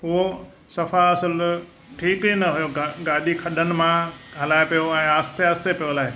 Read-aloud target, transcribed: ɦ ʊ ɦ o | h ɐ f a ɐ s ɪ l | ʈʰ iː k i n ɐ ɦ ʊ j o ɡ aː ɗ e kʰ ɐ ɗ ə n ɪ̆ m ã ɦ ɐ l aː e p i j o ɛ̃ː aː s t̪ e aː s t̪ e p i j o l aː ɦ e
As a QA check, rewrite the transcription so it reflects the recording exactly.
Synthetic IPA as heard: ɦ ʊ ɦ o | s ɐ f a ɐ s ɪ l | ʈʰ iː k i n ɐ ɦ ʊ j o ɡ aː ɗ i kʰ ɐ ɗ ə n ɪ̆ m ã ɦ ɐ l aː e p i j o ɛ̃ː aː s t̪ e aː s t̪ e p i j o l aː ɦ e

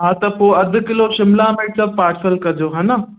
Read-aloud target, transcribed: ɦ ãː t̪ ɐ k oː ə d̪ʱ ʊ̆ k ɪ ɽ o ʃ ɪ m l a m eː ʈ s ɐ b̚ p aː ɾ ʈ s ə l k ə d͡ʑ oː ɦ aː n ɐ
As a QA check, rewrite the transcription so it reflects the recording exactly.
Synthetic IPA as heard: ɦ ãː t̪ ɐ p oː ɐ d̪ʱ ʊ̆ k ɪ l o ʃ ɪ m l a m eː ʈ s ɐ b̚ p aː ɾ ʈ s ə l k ɐ d͡ʑ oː ɦ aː n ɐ

